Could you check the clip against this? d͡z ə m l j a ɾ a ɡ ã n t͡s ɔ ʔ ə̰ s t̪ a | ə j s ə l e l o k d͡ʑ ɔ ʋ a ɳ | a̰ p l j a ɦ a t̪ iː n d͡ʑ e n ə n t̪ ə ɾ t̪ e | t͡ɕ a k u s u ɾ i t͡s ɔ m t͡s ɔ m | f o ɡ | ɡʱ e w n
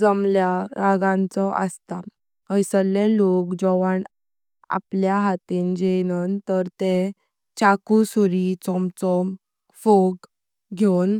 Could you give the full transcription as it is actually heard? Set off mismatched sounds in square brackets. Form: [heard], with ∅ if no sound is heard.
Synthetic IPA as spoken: d͡z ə m l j a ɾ a ɡ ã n t͡s ɔ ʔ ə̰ s t̪ a | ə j s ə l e l o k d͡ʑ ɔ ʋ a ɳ | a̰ p l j a ɦ a t̪ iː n d͡ʑ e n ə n t̪ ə ɾ t̪ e | t͡ɕ a k u s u ɾ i t͡s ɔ m t͡s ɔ m | f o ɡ | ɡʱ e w n